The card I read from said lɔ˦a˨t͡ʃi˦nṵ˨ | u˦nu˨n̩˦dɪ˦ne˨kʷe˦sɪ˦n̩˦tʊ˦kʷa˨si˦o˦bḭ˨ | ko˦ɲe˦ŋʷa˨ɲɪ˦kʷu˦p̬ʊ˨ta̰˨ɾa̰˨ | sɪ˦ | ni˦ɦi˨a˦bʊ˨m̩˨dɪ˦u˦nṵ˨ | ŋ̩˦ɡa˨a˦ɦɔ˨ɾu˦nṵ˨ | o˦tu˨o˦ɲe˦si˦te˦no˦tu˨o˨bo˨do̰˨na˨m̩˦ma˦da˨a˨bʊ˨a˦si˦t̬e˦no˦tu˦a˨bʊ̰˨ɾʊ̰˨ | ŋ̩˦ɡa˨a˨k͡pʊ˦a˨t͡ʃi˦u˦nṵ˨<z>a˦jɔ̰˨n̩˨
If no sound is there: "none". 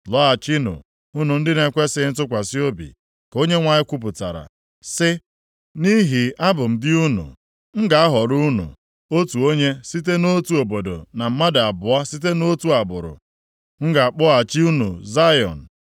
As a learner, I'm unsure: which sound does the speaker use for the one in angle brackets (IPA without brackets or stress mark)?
z